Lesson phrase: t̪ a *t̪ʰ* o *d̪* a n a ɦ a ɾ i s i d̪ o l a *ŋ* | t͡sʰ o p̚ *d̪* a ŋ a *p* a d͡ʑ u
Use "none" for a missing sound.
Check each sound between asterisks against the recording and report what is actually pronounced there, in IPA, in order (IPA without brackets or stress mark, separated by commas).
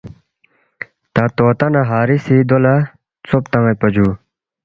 t̪, t̪, none, t̪, p